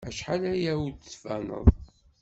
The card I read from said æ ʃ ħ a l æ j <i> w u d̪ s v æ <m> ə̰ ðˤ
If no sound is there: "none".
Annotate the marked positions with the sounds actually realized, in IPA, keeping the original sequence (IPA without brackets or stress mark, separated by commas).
æ, n